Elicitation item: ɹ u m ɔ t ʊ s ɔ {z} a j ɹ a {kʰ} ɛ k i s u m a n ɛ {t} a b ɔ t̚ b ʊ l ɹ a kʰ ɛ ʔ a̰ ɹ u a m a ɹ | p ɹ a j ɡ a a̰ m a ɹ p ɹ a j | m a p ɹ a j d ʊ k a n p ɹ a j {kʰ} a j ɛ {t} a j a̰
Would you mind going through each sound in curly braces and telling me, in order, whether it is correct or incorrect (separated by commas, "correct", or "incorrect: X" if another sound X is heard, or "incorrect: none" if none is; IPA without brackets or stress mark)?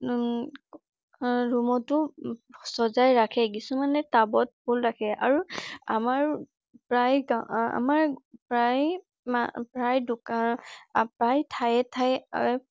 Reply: correct, correct, correct, incorrect: tʰ, incorrect: tʰ